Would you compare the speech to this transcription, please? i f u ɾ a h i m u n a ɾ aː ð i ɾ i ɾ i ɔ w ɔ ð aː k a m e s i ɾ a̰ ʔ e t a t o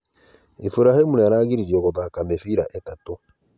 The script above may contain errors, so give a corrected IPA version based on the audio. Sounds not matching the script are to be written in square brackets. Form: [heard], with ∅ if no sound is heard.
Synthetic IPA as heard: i f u ɾ a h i m u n a ɾ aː [ɣ] i ɾ i ɾ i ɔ [ɣ] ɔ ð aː k a m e [f] i ɾ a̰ ʔ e t a t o

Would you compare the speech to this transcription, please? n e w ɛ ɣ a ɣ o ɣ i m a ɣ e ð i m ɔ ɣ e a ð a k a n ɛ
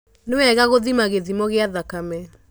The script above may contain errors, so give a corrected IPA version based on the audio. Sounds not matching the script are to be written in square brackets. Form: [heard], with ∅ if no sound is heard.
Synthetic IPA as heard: n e w ɛ ɣ a ɣ o [ð] i m a ɣ e ð i m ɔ ɣ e a ð a k a [m] ɛ

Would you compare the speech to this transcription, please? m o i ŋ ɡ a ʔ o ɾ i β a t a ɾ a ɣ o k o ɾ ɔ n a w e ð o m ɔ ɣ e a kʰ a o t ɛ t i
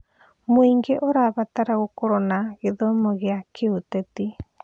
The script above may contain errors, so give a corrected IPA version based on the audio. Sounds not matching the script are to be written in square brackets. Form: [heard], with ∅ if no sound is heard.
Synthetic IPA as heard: m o i ŋ ɡ [e] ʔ o ɾ [a] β a t a ɾ a ɣ o k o ɾ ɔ n a [ɣ] e ð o m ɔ ɣ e a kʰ [e] o t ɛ t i

